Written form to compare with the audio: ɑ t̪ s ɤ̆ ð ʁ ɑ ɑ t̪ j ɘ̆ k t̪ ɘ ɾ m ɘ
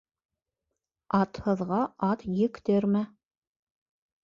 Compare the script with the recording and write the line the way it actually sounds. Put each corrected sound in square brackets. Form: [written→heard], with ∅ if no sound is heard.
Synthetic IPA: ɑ t̪ [s→h] ɤ̆ ð ʁ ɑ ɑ t̪ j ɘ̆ k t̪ ɘ ɾ m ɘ

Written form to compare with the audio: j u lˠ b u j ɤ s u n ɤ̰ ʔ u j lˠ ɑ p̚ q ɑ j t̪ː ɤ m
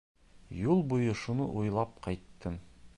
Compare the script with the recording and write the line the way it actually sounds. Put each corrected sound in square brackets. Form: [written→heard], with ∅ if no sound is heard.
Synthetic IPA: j u lˠ b u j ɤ [s→ʃ] u n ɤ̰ ʔ u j lˠ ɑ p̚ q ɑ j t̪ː ɤ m

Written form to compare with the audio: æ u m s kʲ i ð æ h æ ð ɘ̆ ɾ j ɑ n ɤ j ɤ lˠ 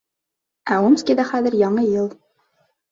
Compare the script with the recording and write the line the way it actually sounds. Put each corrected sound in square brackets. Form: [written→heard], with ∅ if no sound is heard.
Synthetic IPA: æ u m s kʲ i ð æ [h→χ] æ ð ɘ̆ ɾ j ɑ [n→ɴ] ɤ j ɤ lˠ

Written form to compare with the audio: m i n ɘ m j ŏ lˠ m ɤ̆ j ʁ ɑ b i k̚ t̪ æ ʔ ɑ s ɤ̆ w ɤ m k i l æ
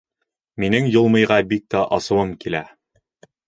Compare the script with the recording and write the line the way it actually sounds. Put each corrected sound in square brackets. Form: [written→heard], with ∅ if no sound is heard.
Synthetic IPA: m i n ɘ [m→ŋ] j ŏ lˠ m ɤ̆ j ʁ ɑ b i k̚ t̪ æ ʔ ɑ s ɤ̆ w ɤ m k i l æ

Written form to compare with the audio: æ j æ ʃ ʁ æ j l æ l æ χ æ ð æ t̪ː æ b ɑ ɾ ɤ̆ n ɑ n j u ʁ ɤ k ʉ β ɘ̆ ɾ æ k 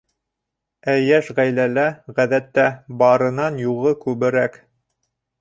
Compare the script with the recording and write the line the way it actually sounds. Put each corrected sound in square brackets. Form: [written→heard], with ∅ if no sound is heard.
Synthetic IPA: æ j æ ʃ ʁ æ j l æ l æ [χ→ʁ] æ ð æ t̪ː æ b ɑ ɾ ɤ̆ n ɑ n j u ʁ ɤ k ʉ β ɘ̆ ɾ æ k

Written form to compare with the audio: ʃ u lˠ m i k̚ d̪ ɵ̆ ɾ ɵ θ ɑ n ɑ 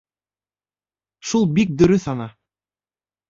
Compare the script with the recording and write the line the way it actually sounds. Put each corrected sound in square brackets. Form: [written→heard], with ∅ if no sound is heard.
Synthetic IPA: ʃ u lˠ [m→b] i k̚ d̪ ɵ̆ ɾ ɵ θ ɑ n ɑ

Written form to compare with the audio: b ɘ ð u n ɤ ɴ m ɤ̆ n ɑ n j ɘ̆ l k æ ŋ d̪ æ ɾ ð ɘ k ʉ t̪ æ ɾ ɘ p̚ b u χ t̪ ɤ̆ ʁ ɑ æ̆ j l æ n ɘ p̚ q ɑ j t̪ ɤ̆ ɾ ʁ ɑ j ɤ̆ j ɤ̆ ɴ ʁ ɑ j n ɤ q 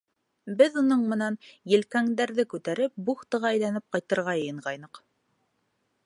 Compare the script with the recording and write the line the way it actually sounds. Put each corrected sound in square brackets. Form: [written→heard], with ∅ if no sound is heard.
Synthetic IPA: b ɘ ð u n ɤ ɴ m ɤ̆ n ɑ n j ɘ̆ l k æ ŋ d̪ æ ɾ ð ɘ k ʉ t̪ æ ɾ ɘ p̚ b u χ t̪ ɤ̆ ʁ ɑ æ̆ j l æ n ɘ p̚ q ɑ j t̪ ɤ̆ ɾ ʁ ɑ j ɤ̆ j ɤ̆ ɴ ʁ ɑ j n ɤ q

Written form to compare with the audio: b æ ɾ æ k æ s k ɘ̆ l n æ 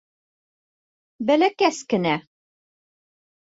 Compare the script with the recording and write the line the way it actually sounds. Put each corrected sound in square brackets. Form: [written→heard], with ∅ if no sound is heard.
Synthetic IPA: b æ [ɾ→l] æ k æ s k ɘ̆ [l→∅] n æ

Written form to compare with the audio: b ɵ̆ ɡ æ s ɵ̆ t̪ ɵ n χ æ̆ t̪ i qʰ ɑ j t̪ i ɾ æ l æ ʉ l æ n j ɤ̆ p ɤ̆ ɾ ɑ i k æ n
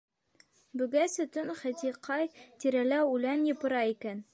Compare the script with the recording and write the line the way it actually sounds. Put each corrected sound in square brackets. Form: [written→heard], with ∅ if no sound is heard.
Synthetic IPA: b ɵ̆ ɡ æ s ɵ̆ t̪ ɵ n χ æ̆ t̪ i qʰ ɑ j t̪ i ɾ æ l æ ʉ l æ n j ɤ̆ p ɤ̆ ɾ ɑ i k æ n

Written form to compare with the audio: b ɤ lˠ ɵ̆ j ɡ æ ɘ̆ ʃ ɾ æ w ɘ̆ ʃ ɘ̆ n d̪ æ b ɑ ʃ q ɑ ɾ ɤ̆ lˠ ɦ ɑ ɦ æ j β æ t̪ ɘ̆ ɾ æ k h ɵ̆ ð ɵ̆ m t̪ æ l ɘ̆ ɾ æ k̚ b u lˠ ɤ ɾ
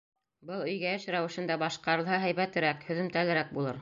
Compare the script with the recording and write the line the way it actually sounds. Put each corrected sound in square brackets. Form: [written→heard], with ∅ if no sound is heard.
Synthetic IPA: b ɤ lˠ ɵ̆ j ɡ æ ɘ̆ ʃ ɾ æ w ɘ̆ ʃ ɘ̆ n d̪ æ b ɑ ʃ q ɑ ɾ ɤ̆ lˠ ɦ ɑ ɦ æ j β æ t̪ ɘ̆ ɾ æ k h ɵ̆ ð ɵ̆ m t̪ æ l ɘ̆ ɾ æ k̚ b u lˠ ɤ ɾ

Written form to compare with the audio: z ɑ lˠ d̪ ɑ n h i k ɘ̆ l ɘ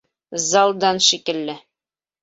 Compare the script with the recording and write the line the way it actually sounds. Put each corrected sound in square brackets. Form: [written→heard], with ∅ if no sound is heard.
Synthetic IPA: z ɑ lˠ d̪ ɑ n [h→ʃ] i k ɘ̆ [l→lː] ɘ

